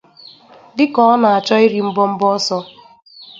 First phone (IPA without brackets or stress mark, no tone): d